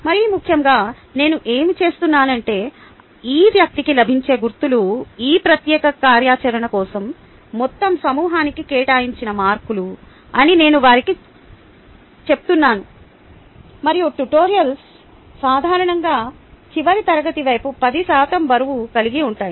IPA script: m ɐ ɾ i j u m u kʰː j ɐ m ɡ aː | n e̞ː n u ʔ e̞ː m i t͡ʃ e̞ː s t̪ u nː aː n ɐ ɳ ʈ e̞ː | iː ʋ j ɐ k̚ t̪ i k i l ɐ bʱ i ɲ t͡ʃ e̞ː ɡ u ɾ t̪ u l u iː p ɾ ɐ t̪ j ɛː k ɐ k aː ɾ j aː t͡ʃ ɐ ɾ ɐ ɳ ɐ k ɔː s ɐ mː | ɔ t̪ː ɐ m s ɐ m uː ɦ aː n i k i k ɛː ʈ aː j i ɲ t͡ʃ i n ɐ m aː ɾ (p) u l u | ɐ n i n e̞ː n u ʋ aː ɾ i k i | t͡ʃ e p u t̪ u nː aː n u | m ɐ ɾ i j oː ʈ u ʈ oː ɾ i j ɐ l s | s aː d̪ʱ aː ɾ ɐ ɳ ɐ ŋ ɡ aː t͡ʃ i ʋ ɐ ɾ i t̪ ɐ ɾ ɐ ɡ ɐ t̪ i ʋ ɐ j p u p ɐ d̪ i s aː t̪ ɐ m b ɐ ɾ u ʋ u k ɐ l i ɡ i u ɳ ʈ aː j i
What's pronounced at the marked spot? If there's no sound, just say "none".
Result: k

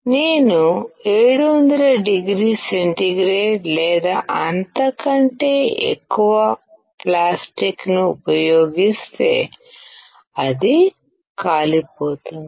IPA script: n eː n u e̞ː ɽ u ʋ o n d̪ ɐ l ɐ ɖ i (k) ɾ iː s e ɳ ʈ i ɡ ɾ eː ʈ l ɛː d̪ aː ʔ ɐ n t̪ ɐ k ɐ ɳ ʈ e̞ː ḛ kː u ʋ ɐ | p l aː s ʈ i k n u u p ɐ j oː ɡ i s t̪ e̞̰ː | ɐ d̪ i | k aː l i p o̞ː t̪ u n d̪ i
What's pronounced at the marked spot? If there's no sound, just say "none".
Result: ɡ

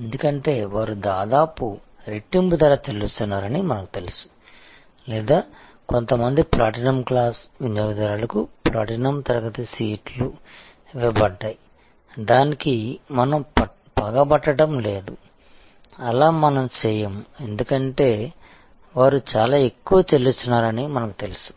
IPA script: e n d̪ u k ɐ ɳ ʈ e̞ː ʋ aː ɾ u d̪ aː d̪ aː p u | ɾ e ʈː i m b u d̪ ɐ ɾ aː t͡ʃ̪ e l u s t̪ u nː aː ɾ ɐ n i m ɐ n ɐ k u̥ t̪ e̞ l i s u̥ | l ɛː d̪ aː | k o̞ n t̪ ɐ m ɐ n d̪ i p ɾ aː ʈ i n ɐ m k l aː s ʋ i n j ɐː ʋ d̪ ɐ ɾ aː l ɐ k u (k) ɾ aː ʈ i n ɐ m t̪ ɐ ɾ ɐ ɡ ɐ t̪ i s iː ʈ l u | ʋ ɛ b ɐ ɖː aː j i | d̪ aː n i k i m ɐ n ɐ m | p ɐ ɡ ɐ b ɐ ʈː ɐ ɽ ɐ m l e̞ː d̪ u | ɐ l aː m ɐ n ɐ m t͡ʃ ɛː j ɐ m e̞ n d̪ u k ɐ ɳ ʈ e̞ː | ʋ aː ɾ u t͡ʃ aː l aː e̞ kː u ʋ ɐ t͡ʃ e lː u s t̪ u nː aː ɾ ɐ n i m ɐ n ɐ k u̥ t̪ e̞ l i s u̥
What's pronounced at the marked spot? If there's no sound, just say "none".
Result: p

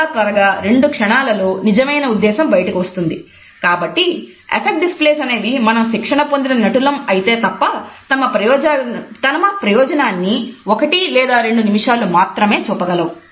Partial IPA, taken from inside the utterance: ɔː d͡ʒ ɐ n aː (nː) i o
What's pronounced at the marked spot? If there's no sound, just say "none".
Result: nː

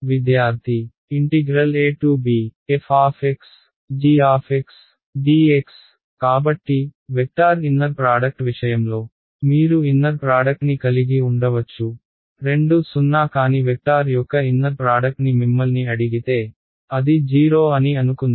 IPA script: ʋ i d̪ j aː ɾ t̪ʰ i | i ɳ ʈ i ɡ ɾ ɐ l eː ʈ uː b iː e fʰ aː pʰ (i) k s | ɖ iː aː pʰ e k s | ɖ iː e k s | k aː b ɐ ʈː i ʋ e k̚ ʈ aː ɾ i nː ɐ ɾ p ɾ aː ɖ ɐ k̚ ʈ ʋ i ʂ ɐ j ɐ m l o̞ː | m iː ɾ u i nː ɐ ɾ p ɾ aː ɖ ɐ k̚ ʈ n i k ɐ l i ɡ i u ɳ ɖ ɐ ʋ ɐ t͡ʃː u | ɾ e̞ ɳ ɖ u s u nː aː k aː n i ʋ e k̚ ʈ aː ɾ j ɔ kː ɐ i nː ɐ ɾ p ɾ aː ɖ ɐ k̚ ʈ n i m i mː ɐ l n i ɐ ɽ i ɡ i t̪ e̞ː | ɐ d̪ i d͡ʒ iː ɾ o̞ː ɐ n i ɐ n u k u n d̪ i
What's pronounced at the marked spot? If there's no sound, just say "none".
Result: e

